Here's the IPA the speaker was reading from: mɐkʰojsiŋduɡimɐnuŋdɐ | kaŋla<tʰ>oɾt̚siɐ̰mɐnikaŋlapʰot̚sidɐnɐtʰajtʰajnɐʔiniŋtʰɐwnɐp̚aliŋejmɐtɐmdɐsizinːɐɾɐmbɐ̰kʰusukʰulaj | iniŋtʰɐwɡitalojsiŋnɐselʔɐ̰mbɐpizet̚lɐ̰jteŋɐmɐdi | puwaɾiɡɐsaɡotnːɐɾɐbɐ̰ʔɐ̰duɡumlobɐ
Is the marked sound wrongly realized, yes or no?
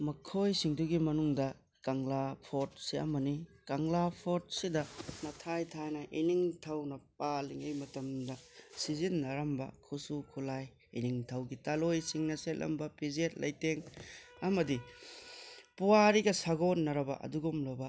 yes